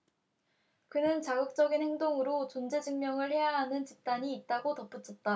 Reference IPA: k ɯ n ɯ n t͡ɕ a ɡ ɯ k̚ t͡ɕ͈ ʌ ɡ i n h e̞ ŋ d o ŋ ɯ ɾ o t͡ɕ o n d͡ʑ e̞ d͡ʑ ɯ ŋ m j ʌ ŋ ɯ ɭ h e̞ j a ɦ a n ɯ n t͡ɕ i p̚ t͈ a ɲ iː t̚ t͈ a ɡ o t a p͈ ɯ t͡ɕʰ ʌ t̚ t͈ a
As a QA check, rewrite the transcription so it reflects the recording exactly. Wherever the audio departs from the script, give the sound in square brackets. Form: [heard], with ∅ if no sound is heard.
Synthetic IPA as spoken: k ɯ n ɯ n t͡ɕ a ɡ ɯ k̚ t͡ɕ͈ ʌ ɡ i n h e̞ ŋ d o ŋ ɯ ɾ o t͡ɕ o n d͡ʑ e̞ d͡ʑ ɯ ŋ m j ʌ ŋ ɯ ɭ h e̞ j a ɦ a n ɯ n t͡ɕ i p̚ t͈ a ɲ iː t̚ t͈ a ɡ o t [ʌ] p͈ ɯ t͡ɕʰ ʌ t̚ t͈ a